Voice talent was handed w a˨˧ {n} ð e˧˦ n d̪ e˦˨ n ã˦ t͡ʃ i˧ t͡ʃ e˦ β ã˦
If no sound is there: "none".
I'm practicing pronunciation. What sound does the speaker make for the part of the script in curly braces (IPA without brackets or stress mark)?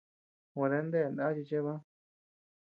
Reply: none